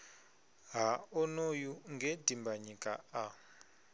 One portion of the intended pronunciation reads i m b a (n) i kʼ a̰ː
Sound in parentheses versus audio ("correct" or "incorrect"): incorrect